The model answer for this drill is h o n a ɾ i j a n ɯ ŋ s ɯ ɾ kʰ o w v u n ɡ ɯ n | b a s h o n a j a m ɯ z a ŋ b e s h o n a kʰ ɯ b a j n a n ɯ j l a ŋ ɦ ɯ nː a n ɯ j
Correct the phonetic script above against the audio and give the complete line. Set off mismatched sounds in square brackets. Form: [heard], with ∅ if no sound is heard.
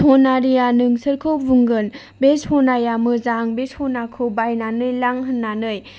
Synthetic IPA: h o n a ɾ i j a n ɯ ŋ s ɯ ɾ kʰ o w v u [ŋ] ɡ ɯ n | b [e] s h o n a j a m ɯ z a ŋ b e s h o n a kʰ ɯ b a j n a n ɯ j l a ŋ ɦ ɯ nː a n ɯ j